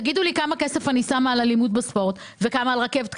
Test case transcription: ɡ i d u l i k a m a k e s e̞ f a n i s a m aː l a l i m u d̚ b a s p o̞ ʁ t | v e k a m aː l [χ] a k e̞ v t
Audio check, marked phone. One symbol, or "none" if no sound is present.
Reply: ʁ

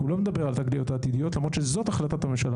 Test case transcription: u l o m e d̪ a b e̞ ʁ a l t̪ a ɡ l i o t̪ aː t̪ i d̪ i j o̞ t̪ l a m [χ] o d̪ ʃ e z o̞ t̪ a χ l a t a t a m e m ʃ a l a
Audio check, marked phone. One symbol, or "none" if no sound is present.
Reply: ʁ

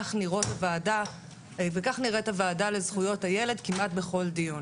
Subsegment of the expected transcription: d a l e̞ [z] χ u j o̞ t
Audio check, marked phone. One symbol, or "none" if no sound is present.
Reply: z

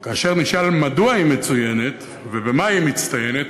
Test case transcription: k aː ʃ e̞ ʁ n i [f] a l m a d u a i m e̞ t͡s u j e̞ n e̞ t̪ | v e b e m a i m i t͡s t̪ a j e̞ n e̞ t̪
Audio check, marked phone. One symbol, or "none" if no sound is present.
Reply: ʃ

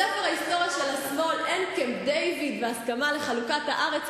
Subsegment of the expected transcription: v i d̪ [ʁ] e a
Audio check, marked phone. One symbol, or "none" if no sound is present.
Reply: v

